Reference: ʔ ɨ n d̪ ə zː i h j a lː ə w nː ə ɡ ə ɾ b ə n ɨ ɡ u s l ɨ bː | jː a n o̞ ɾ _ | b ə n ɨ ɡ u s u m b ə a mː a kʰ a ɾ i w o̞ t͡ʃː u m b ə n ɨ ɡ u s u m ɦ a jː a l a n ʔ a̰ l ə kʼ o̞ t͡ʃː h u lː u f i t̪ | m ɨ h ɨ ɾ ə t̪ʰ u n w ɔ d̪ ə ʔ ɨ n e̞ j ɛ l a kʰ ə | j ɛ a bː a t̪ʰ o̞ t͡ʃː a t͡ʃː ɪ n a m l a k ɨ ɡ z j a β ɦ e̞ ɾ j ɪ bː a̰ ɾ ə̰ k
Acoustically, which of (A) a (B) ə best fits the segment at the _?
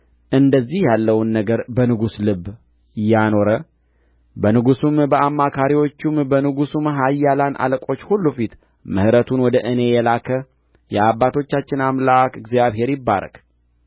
B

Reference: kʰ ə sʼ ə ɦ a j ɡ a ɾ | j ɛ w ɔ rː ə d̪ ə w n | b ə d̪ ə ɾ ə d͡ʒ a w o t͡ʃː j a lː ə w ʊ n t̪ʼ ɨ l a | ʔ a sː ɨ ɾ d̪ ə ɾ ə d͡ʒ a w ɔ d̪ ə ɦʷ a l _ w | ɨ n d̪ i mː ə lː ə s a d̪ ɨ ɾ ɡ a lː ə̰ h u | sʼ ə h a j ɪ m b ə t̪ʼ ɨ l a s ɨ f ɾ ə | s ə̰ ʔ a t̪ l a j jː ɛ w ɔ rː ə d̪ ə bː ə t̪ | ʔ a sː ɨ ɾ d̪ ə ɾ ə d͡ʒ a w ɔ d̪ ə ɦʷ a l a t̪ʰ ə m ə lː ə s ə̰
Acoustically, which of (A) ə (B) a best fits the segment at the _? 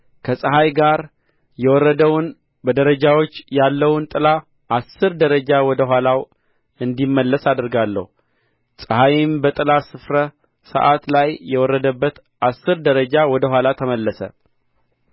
B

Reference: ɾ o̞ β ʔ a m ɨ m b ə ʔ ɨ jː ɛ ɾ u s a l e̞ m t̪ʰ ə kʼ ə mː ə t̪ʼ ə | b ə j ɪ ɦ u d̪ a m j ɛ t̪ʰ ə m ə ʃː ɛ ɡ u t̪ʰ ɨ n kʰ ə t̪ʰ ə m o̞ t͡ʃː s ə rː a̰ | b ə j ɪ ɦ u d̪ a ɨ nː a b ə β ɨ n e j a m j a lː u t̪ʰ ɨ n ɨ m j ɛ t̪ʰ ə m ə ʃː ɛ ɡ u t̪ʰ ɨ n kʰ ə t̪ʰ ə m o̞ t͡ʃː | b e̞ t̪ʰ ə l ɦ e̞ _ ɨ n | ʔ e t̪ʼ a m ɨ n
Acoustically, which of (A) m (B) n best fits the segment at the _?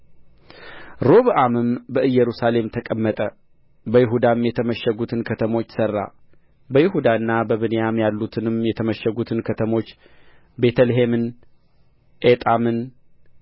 A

